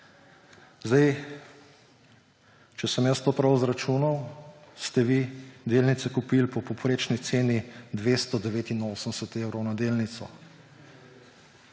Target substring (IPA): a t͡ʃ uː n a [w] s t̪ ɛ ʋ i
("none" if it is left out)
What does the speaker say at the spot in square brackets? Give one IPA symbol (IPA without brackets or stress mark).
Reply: w